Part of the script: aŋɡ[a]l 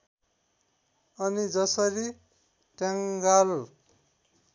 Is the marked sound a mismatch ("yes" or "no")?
no